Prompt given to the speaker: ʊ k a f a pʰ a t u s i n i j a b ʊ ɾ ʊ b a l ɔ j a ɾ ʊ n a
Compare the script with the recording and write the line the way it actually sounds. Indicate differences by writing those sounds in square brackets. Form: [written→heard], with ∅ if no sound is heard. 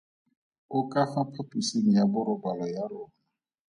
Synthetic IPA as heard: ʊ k a f a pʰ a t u s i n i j a b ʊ ɾ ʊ b a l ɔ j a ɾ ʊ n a